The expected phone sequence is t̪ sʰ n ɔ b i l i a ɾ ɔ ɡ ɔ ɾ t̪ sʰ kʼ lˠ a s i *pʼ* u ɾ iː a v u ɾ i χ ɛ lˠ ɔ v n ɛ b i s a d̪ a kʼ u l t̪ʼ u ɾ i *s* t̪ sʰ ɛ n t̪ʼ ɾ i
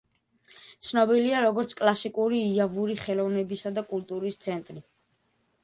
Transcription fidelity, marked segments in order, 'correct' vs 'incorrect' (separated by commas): incorrect, correct